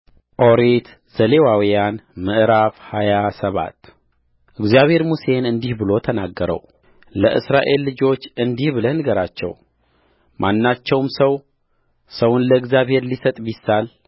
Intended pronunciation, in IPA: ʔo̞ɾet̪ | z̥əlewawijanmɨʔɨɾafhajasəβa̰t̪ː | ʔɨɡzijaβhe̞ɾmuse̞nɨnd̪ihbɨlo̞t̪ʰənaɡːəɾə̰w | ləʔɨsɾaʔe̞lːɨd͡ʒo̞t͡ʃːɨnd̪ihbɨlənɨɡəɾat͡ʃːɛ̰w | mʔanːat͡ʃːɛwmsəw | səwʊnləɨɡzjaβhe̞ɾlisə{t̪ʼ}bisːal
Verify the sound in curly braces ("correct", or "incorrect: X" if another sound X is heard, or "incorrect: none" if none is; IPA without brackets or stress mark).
correct